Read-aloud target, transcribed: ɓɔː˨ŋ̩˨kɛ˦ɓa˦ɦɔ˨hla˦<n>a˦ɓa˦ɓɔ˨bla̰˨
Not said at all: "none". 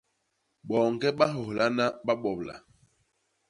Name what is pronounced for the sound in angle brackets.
n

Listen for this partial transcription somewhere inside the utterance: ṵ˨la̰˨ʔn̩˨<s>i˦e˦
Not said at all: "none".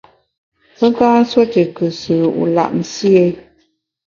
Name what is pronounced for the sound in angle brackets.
s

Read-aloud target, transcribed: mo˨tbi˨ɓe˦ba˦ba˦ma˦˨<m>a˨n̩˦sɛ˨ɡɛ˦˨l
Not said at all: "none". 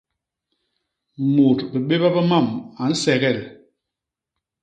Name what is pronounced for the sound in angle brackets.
m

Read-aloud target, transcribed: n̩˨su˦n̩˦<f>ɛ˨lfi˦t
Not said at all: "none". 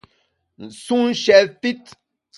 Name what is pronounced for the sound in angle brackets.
ʃ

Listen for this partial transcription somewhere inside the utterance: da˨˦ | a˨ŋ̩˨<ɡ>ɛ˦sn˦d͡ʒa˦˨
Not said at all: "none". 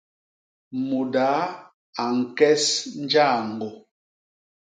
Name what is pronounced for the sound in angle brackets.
k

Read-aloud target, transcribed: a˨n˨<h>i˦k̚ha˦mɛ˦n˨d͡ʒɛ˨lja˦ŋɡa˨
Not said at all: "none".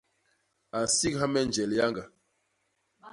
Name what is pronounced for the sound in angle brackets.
s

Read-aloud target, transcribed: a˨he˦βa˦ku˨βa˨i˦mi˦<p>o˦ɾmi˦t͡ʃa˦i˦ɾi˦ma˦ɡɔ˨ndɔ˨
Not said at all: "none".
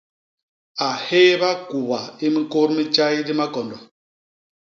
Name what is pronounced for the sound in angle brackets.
k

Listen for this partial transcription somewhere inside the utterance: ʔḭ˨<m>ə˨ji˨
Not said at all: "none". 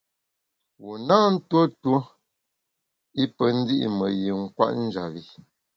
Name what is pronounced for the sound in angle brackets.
m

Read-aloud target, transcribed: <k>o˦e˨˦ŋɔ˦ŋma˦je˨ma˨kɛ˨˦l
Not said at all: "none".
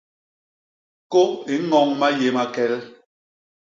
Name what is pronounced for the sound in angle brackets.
k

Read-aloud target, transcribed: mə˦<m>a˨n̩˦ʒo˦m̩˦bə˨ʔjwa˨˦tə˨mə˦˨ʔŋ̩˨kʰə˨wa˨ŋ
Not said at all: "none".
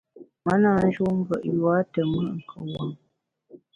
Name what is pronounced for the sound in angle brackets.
n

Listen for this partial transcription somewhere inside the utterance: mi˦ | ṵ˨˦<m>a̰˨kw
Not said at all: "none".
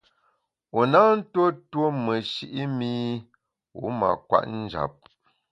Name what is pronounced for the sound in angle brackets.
m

